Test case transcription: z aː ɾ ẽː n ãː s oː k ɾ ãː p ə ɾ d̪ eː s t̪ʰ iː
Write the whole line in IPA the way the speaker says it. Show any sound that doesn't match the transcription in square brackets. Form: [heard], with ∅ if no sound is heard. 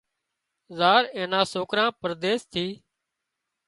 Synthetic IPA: z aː ɾ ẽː n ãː s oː k ɾ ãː p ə ɾ d̪ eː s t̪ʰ iː